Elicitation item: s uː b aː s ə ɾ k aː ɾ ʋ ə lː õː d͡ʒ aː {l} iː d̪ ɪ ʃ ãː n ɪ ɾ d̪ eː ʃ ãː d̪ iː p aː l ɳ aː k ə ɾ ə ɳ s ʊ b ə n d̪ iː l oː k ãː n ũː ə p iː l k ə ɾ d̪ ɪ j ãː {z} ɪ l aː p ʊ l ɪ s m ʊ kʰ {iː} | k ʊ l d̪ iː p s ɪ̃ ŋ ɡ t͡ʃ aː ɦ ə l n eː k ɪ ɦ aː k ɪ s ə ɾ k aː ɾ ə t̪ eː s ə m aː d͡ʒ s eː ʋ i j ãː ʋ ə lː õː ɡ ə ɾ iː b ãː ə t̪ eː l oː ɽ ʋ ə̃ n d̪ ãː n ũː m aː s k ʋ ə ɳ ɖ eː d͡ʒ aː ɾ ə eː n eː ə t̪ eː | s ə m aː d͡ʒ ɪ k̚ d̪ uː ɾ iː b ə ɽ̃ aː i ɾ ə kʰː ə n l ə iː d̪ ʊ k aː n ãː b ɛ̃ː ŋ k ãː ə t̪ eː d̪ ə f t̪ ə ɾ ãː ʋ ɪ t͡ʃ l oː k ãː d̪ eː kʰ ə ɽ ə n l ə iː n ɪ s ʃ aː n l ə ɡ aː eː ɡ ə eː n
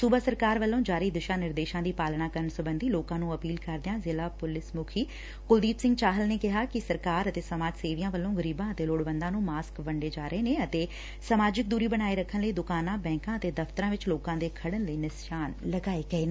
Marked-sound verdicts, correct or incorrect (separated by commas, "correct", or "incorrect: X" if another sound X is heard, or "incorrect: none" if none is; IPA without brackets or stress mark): incorrect: ɾ, correct, correct